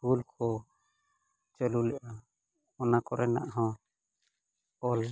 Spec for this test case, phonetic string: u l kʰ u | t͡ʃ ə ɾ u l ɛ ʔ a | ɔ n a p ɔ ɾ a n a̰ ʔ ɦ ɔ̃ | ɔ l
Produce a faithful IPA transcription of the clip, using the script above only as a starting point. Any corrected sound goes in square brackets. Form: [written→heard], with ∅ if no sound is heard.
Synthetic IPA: u l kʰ [u→ɔ] | t͡ʃ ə [ɾ→l] u l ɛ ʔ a | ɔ n a [p→k] ɔ ɾ [a→ɛ] n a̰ ʔ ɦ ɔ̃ | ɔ l